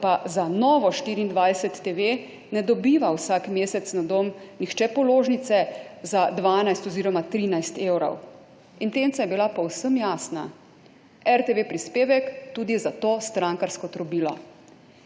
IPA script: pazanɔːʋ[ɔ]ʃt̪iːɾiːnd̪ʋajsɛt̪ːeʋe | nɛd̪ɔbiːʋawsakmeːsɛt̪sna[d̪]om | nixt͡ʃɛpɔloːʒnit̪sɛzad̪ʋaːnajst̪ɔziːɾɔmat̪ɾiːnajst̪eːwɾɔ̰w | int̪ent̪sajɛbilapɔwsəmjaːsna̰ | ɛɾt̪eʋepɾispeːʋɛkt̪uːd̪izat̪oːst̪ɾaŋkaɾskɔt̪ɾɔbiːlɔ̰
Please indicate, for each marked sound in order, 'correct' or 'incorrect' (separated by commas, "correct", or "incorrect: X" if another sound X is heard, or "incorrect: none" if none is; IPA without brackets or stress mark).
correct, correct